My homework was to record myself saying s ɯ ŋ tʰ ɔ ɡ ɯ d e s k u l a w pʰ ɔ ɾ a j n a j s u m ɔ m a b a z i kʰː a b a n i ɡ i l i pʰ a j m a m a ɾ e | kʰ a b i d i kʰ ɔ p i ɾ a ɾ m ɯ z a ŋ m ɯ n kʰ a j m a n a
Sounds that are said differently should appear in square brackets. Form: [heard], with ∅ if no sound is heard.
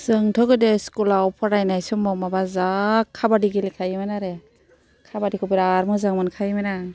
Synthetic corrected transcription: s ɯ ŋ tʰ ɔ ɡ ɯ d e s k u l a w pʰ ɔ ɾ a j n a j s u m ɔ m a b a z [a] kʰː a b a [d] i ɡ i l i [kʰ] a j m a [n] a ɾ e | kʰ a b [a] d i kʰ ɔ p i ɾ a ɾ m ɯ z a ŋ m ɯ n kʰ a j m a n a